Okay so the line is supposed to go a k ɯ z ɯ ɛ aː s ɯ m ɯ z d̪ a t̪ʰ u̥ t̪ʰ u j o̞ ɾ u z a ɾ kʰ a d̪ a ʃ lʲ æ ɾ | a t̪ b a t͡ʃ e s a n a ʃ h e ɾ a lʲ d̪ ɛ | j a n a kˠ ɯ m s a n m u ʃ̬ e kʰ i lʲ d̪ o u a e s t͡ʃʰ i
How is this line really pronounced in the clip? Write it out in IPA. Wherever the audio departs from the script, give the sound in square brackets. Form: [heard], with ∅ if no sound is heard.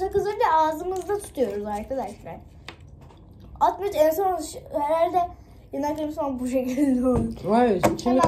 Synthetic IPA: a k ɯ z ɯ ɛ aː [z] ɯ m ɯ z d̪ a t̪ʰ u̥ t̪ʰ u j o̞ ɾ u z a ɾ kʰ a d̪ a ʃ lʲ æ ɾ | a t̪ [m] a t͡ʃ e s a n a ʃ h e ɾ a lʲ d̪ ɛ | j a n a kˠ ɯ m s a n [b] u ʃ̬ e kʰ i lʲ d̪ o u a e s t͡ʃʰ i